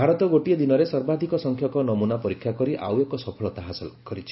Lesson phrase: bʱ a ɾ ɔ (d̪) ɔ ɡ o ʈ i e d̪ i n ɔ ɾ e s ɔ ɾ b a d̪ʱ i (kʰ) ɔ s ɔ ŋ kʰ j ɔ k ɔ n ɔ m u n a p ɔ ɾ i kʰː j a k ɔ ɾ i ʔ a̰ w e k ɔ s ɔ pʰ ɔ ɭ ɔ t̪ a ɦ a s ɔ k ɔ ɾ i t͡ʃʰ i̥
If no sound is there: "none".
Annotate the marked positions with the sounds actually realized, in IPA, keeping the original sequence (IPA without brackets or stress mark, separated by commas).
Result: t̪, k